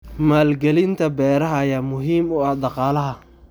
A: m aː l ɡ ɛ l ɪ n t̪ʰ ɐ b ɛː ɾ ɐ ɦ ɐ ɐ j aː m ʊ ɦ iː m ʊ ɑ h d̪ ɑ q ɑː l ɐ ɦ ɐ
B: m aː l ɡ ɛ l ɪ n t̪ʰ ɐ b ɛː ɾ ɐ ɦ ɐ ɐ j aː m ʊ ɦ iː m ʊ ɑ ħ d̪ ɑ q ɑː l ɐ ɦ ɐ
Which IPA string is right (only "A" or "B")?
A